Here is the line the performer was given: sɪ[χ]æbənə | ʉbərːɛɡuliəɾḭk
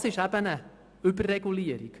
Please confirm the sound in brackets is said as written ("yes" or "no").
no